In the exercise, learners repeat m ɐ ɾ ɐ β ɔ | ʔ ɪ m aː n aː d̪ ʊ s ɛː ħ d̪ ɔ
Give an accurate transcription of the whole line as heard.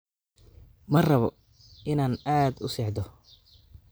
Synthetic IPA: m ɐ r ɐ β ɔ | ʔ ɪ n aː n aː d̪ ʊ s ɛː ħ d̪ ɔ

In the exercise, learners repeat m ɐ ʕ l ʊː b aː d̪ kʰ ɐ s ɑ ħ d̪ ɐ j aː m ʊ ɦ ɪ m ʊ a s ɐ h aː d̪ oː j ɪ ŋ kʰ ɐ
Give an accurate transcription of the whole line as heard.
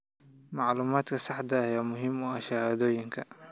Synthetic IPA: m ɑ ʕ l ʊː m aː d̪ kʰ ɐ s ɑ ħ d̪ ɐ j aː m ʊ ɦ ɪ m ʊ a ʃ ɐ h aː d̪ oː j ɪ ŋ kʰ ɐ

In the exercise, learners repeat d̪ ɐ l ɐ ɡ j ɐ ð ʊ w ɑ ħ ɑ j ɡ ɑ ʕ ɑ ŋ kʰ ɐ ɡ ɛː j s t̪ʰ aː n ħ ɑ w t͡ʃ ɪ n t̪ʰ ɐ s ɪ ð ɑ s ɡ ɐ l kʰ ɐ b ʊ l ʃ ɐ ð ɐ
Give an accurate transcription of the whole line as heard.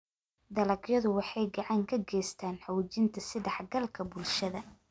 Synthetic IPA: d̪ ɐ l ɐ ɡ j ɐ ð ʊ w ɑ ħ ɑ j ɡ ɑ ʕ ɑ ŋ kʰ ɐ ɡ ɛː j s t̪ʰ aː n ħ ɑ w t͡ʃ ɪ n t̪ʰ ɐ s ɪ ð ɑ ħ ɡ ɐ l kʰ ɐ b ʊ l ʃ ɐ ð ɐ

